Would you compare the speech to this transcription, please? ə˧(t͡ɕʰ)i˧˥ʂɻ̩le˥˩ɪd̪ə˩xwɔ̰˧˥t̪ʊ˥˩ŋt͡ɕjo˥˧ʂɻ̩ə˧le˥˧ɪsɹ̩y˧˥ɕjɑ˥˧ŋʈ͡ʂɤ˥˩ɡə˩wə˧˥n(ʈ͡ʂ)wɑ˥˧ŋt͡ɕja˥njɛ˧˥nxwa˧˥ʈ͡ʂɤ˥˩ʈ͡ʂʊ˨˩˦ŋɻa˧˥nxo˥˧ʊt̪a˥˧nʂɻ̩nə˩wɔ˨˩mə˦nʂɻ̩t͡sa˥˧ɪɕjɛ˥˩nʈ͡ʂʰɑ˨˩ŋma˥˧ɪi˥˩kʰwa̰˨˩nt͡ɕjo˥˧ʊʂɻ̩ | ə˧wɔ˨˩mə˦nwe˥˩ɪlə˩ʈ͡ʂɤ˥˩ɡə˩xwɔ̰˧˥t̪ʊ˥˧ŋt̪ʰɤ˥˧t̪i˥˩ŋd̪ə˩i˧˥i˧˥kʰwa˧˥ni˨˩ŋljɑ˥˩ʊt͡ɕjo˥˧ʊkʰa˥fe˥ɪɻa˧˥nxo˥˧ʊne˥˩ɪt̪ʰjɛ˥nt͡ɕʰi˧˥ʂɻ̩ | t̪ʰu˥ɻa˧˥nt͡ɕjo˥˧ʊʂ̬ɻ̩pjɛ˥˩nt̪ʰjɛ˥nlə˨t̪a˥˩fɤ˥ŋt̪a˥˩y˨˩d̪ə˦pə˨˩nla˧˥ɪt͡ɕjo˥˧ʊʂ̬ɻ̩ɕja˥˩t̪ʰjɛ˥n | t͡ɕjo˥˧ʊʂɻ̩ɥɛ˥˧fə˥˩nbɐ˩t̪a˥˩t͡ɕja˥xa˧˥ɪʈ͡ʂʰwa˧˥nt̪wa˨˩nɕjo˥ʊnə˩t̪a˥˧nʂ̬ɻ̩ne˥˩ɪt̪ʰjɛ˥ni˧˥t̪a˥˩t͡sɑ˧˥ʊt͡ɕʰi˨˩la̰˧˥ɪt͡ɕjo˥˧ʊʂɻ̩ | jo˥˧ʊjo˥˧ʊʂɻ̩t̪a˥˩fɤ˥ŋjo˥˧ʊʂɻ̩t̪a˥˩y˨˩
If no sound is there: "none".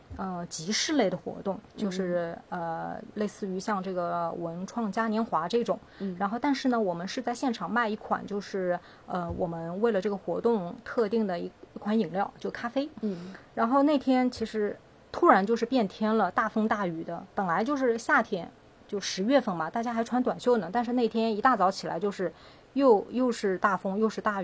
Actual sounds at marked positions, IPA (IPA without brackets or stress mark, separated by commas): t͡ɕ, ʈ͡ʂʰ